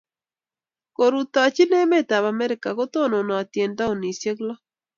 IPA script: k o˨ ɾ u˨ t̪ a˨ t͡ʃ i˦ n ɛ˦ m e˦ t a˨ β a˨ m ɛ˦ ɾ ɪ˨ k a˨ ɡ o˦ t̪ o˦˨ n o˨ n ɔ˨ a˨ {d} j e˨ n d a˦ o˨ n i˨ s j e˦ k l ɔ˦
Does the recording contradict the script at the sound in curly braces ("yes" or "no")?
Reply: yes